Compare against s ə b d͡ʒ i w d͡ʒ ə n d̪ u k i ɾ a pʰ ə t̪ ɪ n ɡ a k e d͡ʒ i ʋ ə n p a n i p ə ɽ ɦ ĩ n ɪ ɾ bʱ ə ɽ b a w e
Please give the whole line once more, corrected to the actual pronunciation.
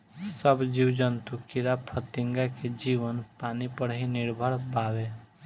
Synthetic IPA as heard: s ə b d͡ʒ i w d͡ʒ ə n t̪ u k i ɾ a pʰ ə t̪ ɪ ŋ ɡ a k e d͡ʒ i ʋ ə n p a n i p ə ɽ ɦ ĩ n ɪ ɾ bʱ ə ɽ b a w e